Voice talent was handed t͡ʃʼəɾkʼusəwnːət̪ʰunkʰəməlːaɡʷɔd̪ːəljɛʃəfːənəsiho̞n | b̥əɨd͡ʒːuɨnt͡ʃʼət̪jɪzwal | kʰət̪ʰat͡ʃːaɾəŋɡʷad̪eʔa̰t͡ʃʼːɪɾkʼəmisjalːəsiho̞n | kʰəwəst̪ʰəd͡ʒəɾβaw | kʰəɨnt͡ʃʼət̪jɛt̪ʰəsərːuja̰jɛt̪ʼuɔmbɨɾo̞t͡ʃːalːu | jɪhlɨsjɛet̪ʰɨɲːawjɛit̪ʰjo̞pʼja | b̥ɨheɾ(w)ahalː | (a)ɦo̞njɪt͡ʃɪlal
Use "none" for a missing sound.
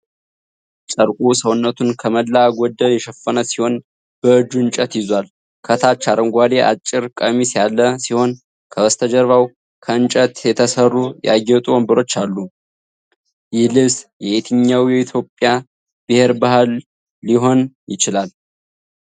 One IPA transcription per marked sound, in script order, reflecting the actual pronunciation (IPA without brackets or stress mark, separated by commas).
b, i